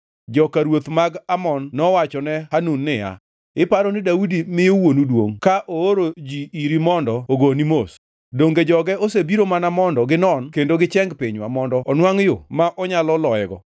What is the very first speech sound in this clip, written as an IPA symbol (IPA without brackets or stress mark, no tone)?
d͡ʒ